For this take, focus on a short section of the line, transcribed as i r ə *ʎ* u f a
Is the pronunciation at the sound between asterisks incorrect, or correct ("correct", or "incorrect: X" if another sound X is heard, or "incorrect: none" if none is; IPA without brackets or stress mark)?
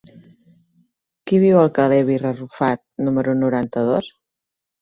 incorrect: r